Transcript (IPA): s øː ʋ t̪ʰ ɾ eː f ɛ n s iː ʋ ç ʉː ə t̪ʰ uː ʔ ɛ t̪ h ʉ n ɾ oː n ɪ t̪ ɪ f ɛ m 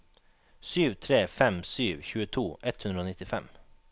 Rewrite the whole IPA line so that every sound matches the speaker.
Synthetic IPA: s yː ʋ t̪ʰ ɾ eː f ɛ m s yː ʋ ç ʉː ə t̪ʰ uː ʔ ɛ t̪ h ʉ n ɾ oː n ɪ t̪ ɪ f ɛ m